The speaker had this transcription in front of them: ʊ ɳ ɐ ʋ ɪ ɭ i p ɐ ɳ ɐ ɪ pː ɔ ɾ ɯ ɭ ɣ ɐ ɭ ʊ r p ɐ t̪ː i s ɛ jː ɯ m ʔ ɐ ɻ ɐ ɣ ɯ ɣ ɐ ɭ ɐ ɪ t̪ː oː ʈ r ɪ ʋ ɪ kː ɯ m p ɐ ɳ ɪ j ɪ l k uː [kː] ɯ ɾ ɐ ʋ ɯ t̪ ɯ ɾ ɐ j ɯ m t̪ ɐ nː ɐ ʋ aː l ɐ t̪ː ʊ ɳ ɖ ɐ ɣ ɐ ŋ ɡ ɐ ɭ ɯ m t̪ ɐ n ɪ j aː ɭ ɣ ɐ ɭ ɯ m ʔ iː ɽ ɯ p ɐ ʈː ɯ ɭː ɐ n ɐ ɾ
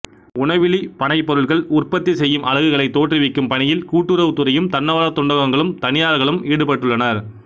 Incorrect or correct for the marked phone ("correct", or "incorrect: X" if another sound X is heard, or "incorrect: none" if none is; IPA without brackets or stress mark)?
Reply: incorrect: ʈː